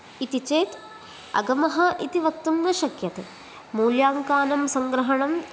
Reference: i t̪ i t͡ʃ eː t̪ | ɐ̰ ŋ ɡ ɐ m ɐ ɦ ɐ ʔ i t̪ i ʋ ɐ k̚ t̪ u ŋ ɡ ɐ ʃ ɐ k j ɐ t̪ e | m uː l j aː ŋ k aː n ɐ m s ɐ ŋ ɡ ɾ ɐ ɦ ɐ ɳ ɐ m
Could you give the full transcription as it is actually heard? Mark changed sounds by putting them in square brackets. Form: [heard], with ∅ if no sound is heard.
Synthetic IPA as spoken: i t̪ i t͡ʃ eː t̪ | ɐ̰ [∅] ɡ ɐ m ɐ ɦ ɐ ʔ i t̪ i ʋ ɐ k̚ t̪ u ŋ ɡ ɐ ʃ ɐ k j ɐ t̪ e | m uː l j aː ŋ k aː n ɐ m s ɐ ŋ ɡ ɾ ɐ ɦ ɐ ɳ ɐ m